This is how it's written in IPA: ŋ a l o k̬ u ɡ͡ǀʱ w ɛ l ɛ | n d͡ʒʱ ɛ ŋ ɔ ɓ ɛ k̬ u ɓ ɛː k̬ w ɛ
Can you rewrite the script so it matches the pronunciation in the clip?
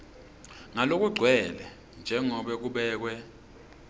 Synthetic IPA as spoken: ŋ a l o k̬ u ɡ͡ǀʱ w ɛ l ɛ | n d͡ʒʱ ɛ ŋ ɔ ɓ ɛ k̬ u ɓ ɛː k̬ w ɛ

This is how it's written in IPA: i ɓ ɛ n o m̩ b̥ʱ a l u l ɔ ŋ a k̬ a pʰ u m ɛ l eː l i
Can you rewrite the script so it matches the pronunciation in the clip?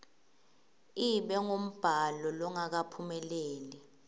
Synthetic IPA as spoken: i ɓ ɛ ŋ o m̩ b̥ʱ a l ɔ l ɔ ŋ a k̬ a pʰ u m ɛ l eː l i

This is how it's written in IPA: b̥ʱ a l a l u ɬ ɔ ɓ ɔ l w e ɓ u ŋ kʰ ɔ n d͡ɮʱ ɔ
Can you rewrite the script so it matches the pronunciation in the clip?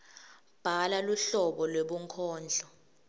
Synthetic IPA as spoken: b̥ʱ a l a l u ɬ ɔ ɓ ɔ l w e ɓ u ŋ kʰ ɔː n d͡ɮʱ ɔ

